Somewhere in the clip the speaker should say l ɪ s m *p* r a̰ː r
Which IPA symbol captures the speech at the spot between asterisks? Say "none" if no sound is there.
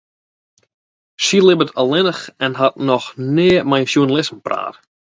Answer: p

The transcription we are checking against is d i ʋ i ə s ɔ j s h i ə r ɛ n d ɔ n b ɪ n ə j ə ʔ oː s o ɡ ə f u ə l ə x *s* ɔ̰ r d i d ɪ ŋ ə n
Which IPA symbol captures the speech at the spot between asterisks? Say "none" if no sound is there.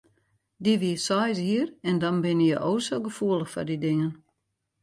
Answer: f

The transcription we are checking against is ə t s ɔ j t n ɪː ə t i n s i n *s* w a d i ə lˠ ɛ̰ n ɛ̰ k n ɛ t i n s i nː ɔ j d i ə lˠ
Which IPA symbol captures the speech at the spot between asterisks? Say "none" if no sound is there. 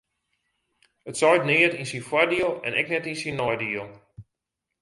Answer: f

